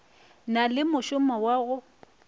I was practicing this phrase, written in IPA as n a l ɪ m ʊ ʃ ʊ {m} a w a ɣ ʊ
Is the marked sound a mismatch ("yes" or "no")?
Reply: no